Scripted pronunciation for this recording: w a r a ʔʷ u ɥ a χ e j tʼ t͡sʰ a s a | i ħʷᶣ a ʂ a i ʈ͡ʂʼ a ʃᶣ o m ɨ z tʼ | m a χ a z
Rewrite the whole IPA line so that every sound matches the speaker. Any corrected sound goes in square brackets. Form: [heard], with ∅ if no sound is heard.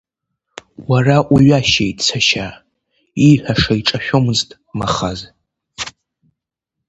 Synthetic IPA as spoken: w a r a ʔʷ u ɥ a [ʃ] e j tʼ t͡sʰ a [ʃ] a | i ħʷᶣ a ʂ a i ʈ͡ʂʼ a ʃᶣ o m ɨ z tʼ | m a χ a z